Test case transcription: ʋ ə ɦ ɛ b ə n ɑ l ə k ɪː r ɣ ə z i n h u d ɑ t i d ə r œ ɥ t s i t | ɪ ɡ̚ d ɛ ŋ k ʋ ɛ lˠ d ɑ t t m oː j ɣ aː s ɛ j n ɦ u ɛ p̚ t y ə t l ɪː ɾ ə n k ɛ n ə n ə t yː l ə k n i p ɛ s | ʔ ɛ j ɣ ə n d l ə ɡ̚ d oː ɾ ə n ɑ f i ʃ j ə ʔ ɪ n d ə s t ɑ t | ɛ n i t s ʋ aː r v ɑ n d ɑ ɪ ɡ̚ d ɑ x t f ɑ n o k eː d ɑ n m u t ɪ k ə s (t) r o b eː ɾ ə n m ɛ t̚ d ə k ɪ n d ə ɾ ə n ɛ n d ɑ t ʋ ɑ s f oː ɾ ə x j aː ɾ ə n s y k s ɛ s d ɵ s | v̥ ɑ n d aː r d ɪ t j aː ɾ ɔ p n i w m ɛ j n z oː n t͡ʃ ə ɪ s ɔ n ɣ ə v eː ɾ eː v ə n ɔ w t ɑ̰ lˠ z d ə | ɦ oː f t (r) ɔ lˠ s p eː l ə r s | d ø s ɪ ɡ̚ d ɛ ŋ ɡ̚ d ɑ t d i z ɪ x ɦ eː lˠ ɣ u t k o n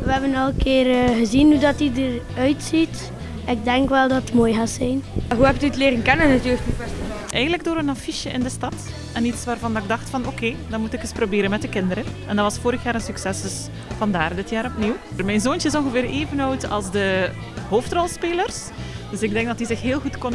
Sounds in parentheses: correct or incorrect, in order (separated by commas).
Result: incorrect, correct